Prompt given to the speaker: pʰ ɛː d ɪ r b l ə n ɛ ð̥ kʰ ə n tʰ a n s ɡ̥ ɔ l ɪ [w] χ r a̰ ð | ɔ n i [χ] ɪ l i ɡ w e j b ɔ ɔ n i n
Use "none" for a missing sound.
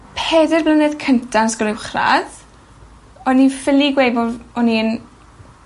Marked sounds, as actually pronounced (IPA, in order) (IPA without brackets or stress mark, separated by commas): w, f